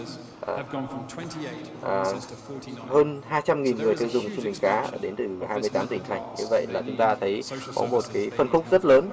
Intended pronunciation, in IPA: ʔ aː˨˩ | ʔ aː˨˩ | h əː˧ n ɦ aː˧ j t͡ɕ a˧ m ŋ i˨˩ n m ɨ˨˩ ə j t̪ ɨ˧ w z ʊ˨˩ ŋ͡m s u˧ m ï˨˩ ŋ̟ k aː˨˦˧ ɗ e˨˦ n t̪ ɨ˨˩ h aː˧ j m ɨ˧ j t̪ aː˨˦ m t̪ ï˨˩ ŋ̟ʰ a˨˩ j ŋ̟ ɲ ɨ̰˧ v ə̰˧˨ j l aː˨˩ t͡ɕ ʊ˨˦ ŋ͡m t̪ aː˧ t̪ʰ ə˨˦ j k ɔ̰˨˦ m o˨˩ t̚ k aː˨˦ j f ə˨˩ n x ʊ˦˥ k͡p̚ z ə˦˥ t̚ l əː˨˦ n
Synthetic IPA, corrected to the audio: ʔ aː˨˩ | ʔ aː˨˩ | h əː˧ n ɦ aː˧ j t͡ɕ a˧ m ŋ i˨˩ n ŋ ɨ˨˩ ə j t̪ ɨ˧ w z ʊ˨˩ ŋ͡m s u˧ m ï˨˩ ŋ̟ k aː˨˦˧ ɗ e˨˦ n t̪ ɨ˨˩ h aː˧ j m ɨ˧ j t̪ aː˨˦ m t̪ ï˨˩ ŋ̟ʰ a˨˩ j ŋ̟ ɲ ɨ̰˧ v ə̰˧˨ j l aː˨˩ t͡ɕ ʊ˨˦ ŋ͡m t̪ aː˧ t̪ʰ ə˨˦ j k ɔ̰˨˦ m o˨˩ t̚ k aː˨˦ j f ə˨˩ n x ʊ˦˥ k͡p̚ z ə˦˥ t̚ l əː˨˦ n